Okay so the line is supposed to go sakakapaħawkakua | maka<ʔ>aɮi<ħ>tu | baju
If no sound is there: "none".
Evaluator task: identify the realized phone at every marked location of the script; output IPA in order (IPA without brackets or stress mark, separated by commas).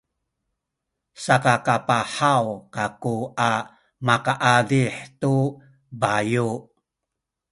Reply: ʔ, ħ